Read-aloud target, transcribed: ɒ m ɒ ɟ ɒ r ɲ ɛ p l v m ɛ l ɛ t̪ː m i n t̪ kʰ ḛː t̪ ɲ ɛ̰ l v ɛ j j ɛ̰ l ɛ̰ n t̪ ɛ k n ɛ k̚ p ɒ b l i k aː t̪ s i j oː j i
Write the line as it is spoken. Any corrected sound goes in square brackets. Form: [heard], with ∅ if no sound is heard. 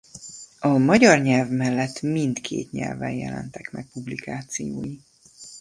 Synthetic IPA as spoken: ɒ m ɒ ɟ ɒ r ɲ ɛ [∅] l v m ɛ [lː] ɛ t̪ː m i n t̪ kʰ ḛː t̪ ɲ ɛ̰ l v ɛ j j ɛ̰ l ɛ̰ n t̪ ɛ k [m] ɛ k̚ p [u] b l i k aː t̪ s i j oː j i